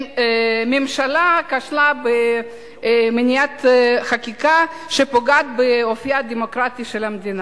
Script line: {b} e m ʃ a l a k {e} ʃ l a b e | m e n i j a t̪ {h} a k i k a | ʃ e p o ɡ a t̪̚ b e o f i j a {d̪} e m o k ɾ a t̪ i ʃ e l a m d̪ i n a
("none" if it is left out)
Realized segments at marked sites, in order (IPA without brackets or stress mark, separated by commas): m, a, χ, d̪